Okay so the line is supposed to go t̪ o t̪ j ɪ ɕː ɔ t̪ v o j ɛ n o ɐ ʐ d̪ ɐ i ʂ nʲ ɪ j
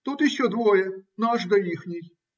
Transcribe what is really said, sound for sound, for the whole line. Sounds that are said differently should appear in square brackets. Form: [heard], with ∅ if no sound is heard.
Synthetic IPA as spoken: t̪ [u] t̪ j ɪ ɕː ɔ [d̪] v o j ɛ n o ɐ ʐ d̪ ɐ i [x] nʲ ɪ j